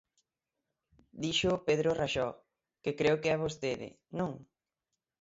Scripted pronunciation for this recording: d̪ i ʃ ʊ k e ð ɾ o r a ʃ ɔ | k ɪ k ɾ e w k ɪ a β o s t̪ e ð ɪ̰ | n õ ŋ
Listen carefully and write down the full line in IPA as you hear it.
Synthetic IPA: d̪ i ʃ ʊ p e ð ɾ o r a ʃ ɔ | k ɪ k ɾ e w k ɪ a β o s t̪ e ð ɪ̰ | n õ ŋ